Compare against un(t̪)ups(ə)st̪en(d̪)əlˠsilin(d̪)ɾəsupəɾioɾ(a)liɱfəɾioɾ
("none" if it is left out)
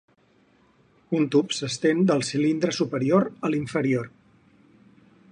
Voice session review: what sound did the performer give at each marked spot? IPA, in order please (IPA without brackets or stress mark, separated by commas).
t̪, ə, d̪, d̪, ə